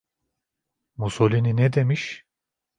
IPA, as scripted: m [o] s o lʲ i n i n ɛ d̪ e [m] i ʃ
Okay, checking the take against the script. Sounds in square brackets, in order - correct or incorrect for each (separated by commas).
incorrect, correct